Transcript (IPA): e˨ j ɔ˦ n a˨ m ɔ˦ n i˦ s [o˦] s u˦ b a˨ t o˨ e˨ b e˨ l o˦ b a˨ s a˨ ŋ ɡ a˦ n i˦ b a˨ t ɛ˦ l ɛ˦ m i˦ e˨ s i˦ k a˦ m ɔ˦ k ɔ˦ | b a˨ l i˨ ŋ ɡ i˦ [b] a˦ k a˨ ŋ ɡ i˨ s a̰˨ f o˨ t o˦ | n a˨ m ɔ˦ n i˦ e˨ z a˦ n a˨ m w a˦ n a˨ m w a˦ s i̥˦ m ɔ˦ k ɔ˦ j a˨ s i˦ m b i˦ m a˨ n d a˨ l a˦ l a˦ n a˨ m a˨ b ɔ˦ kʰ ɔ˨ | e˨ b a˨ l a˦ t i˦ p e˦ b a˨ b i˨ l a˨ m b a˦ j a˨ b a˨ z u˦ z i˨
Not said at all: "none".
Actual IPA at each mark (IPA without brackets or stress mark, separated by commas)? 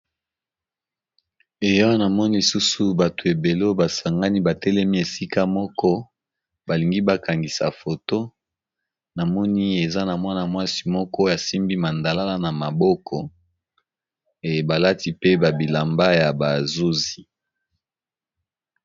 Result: u˦, b